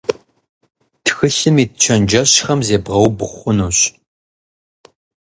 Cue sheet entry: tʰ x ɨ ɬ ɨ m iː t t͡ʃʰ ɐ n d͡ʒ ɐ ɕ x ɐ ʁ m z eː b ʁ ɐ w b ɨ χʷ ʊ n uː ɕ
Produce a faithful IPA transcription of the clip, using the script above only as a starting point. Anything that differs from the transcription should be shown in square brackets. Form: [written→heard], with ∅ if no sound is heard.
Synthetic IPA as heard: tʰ x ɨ ɬ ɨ m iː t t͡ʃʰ ɐ n d͡ʒ ɐ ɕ x ɐ [ʁ→∅] m z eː b ʁ ɐ w b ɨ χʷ ʊ n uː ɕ